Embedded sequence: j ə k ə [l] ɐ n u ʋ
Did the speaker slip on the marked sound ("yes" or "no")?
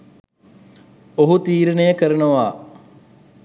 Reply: yes